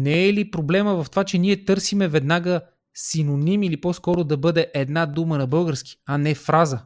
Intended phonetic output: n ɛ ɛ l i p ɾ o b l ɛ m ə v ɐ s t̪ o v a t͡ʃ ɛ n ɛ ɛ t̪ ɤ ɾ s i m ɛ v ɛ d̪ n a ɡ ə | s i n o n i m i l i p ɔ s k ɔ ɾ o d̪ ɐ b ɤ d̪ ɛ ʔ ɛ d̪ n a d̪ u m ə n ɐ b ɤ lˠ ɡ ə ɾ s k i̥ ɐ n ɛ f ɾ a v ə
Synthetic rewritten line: n ɛ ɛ l i p ɾ o b l ɛ m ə v ɐ f t̪ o v a t͡ʃ ɛ n i ɛ t̪ ɤ ɾ s i m ɛ v ɛ d̪ n a ɡ ə | s i n o n i m i l i p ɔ s k ɔ ɾ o d̪ ɐ b ɤ d̪ ɛ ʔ ɛ d̪ n a d̪ u m ə n ɐ b ɤ lˠ ɡ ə ɾ s k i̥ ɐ n ɛ f ɾ a z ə